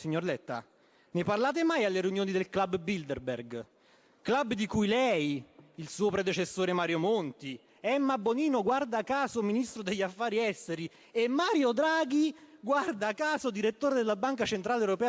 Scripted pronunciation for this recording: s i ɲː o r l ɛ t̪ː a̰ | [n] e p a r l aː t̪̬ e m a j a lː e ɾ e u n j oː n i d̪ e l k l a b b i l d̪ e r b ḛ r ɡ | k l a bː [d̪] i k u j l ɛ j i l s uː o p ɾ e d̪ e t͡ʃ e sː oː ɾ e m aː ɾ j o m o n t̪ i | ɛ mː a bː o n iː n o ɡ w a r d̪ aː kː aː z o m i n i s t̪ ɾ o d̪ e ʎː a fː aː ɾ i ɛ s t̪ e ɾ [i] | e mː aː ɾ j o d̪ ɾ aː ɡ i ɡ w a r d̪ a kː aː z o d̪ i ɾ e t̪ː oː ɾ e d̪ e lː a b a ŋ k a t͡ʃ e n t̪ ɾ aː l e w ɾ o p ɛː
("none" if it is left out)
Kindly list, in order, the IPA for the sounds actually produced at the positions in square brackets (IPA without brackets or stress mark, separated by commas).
n, d̪, i